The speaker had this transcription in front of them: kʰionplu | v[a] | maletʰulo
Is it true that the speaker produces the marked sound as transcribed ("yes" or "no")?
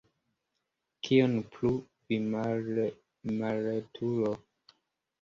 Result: no